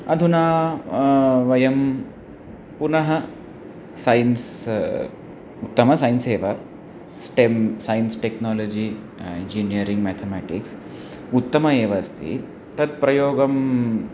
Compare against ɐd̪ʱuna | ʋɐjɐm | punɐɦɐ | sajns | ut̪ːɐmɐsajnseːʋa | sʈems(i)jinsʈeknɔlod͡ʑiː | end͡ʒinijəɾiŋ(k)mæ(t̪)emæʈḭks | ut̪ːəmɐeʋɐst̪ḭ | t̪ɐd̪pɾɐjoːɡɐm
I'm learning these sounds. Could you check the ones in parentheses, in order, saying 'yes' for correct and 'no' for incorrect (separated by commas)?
no, no, no